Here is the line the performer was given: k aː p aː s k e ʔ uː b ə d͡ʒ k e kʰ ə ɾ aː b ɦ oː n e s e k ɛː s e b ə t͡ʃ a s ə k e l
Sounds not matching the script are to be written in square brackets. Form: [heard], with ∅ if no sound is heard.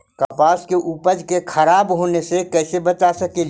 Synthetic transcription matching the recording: k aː p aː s k e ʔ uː [p] ə d͡ʒ k e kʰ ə ɾ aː b ɦ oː n e s e k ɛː s e b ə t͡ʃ a s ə k e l